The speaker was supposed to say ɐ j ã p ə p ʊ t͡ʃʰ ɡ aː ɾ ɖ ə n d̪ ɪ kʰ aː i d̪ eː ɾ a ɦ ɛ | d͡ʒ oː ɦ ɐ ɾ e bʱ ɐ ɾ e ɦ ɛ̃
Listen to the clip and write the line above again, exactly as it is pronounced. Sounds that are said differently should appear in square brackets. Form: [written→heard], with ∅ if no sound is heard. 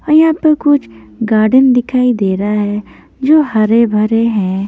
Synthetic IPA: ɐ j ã p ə [p→k] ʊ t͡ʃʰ ɡ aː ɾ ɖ ə n d̪ ɪ kʰ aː i d̪ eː ɾ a ɦ ɛ | d͡ʒ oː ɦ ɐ ɾ e bʱ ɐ ɾ e ɦ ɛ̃